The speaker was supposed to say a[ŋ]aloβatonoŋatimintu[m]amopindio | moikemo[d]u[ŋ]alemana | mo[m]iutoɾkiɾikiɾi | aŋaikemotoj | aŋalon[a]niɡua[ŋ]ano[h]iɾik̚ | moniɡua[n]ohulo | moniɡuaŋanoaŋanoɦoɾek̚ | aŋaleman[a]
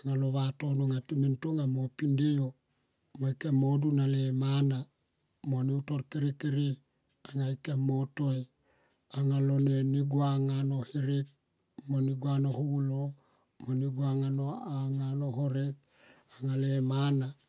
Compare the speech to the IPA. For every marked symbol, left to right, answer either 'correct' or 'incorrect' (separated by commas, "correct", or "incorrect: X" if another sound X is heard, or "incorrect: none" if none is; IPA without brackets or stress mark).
correct, incorrect: ŋ, correct, incorrect: n, incorrect: n, incorrect: e, correct, correct, correct, correct